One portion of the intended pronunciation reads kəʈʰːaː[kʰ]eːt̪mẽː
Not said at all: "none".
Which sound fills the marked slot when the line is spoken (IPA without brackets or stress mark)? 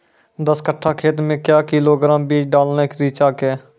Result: kʰ